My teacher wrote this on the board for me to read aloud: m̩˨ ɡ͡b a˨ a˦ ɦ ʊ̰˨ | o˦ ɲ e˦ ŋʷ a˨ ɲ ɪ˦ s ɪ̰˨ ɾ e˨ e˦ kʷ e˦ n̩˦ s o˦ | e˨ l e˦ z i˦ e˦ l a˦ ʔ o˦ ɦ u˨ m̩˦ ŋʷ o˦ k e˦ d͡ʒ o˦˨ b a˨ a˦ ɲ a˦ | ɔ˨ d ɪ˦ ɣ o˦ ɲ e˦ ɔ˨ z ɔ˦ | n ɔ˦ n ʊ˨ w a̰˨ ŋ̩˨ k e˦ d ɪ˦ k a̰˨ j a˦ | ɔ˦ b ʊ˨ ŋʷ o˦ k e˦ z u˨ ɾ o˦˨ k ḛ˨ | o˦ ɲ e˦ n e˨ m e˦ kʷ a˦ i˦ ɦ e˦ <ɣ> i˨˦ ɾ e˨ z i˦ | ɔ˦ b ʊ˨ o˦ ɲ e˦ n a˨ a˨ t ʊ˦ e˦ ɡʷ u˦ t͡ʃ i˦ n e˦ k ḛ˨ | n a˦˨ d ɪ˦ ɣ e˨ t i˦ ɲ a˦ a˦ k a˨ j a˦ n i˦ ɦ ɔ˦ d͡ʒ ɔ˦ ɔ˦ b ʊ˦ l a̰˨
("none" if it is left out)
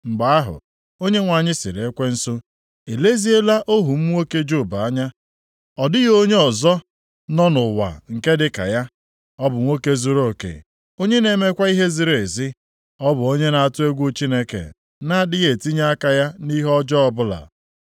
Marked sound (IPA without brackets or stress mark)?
z